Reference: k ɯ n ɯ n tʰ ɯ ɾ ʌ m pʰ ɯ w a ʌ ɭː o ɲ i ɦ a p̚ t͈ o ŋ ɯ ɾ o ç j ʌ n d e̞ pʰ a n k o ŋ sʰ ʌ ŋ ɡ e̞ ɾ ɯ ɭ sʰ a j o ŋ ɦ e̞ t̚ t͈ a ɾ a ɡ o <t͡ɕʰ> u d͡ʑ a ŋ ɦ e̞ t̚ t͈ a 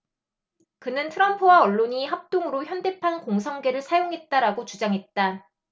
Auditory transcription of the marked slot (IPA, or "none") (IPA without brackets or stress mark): t͡ɕ